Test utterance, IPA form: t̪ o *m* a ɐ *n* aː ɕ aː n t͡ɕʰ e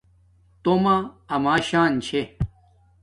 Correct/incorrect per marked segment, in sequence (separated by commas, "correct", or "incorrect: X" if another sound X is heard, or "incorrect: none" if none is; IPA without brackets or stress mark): correct, incorrect: m